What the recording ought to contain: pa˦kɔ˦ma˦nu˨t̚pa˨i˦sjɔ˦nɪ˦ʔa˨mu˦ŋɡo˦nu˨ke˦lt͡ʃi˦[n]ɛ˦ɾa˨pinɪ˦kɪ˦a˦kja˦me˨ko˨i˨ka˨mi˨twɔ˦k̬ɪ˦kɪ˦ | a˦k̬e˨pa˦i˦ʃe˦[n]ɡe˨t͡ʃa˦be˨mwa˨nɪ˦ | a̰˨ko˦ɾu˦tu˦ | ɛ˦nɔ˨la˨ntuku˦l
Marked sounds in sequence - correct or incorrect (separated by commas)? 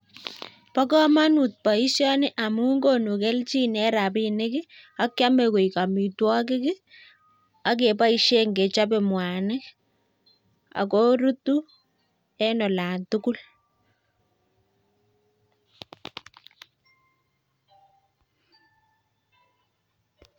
correct, incorrect